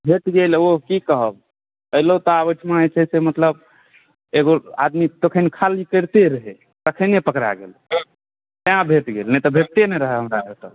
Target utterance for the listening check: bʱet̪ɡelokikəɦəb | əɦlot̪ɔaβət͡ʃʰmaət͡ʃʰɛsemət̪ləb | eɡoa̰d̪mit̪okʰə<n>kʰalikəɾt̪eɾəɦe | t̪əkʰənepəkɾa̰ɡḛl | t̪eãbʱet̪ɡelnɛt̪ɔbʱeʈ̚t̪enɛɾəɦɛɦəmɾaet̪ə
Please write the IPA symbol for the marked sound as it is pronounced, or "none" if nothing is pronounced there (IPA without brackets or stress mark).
n